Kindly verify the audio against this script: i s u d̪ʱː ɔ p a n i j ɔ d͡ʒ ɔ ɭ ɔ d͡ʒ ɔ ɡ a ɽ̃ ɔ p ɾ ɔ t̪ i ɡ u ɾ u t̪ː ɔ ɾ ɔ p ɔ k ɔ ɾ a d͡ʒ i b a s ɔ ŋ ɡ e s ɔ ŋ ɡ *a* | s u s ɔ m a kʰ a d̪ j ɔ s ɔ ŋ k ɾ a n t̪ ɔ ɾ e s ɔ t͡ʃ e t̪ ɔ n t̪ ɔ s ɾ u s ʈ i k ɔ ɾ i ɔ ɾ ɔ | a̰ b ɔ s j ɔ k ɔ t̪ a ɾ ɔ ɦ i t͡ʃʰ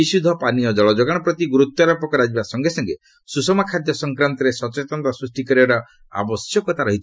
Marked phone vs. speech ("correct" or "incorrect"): incorrect